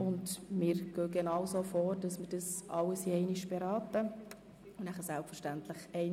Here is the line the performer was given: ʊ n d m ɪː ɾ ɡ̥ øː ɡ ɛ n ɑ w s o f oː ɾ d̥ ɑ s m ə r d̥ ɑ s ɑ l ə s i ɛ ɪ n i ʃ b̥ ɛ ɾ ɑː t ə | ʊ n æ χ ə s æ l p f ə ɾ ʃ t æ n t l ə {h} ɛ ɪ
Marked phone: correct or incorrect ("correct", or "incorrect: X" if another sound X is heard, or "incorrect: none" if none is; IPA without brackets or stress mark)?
incorrect: χ